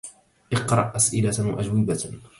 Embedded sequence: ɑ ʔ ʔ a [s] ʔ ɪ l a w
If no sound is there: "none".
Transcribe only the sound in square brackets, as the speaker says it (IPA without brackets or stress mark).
s